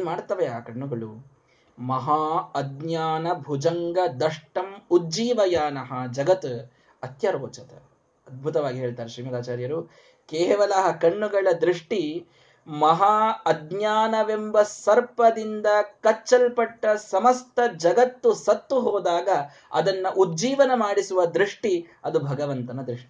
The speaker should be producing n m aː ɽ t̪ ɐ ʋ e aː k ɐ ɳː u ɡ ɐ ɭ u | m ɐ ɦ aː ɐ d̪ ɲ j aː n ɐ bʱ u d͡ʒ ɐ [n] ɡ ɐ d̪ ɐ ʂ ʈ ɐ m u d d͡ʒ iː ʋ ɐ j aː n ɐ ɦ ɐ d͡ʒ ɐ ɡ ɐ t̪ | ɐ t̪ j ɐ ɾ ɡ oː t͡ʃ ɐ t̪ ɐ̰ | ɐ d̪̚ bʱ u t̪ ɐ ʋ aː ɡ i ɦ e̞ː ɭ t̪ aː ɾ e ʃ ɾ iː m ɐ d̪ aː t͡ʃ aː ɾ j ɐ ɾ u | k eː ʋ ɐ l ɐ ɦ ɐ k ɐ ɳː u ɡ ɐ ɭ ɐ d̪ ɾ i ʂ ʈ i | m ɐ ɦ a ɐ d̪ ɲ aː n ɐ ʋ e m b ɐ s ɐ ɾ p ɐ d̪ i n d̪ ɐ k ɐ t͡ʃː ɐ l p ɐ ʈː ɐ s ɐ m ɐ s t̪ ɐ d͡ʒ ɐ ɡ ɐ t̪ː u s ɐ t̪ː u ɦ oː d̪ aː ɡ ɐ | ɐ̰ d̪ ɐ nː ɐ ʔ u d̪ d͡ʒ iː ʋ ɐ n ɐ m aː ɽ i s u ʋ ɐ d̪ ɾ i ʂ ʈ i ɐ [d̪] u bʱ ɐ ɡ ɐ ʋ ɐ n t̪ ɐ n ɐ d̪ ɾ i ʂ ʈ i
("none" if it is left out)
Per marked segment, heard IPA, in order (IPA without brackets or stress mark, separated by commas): ŋ, d̪